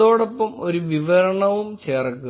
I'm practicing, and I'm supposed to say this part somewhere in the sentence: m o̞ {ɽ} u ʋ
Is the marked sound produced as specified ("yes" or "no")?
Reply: no